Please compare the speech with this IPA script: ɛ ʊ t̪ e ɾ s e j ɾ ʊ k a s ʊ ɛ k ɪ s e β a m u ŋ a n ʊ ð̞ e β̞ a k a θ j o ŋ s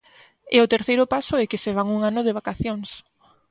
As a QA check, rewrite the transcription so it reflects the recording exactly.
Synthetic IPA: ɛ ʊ t̪ e ɾ θ e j ɾ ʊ p a s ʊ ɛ k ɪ s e β a ŋ u ŋ a n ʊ ð̞ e β̞ a k a θ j o ŋ s